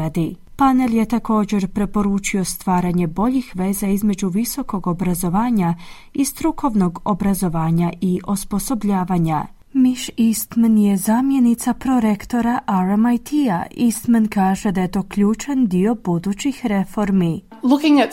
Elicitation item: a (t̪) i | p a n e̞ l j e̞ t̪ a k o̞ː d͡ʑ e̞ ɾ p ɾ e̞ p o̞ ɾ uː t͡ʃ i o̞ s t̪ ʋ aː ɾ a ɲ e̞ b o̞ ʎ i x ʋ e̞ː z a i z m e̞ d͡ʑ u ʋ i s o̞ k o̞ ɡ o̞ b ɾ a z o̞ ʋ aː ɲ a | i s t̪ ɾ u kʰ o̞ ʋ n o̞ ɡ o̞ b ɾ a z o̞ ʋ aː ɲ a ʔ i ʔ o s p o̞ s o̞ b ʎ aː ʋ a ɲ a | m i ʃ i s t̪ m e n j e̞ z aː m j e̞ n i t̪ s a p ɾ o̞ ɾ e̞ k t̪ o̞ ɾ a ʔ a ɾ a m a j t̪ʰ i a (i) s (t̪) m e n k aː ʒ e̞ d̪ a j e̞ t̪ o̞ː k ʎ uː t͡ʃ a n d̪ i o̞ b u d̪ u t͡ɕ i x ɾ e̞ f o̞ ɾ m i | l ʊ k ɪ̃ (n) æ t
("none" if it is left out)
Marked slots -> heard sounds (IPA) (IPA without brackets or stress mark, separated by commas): d̪, i, t̪, ŋ